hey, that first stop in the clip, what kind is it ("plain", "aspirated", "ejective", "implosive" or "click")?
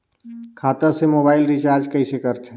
aspirated